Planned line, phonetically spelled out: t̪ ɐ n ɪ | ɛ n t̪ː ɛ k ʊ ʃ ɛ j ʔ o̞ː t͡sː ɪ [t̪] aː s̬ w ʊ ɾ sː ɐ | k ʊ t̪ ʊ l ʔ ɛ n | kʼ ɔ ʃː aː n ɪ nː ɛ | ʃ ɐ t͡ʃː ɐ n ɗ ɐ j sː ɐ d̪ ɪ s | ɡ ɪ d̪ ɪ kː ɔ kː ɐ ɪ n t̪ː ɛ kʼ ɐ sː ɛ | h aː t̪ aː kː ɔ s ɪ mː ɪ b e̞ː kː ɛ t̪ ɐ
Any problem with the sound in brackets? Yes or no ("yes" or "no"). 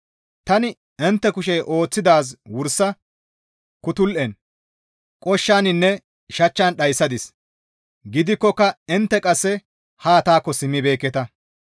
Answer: yes